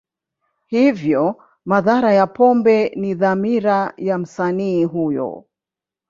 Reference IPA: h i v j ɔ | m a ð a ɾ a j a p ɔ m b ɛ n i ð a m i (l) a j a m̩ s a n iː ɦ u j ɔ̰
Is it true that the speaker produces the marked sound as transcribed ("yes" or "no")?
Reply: no